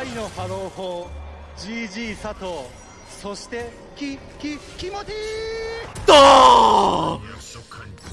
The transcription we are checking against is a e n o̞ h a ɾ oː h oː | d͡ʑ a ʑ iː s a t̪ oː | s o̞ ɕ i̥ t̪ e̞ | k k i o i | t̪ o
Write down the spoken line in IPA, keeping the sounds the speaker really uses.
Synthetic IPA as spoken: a i n o̞ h a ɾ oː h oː | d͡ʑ i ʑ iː s a t̪ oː | s o̞ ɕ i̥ t̪ e̞ | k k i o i | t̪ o